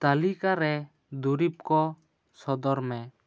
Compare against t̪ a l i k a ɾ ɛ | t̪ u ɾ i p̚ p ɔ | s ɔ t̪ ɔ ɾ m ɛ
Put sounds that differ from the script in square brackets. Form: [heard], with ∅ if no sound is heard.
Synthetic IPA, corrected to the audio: t̪ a l i k a ɾ ɛ | [d̪] u ɾ i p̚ [k] ɔ | s ɔ [d̪] ɔ ɾ m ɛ